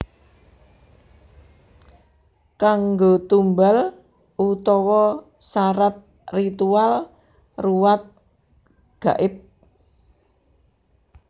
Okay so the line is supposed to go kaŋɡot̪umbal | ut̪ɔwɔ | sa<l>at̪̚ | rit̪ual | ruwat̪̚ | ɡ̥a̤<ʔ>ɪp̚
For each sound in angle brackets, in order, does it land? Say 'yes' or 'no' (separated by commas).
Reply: no, yes